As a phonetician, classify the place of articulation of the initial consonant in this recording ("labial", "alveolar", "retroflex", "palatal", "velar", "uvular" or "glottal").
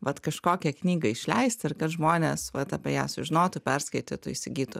labial